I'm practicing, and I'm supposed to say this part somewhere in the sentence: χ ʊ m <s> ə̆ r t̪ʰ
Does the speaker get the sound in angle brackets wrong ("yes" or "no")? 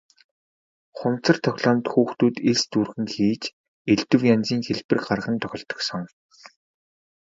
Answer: yes